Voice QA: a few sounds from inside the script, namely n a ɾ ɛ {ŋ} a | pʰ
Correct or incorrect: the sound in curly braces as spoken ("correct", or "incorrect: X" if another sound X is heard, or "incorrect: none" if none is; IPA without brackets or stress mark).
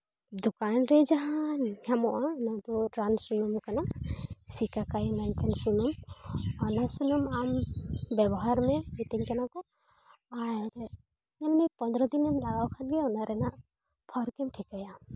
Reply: incorrect: n